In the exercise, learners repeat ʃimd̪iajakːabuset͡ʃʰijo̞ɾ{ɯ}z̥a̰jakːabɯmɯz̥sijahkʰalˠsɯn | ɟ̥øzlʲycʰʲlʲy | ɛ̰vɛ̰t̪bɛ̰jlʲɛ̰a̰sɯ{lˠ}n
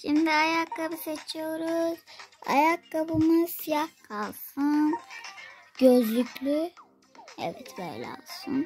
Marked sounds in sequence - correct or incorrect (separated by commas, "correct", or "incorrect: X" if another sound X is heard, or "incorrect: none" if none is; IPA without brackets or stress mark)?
incorrect: u, incorrect: none